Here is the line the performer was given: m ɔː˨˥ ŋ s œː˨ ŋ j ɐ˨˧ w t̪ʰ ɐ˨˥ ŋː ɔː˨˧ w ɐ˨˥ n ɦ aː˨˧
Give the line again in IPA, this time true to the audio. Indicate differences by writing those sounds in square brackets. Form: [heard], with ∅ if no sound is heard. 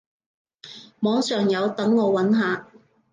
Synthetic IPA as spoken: m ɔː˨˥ ŋ s œː˨ ŋ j ɐ˨˧ w [t̪] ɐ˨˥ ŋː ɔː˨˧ w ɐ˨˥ n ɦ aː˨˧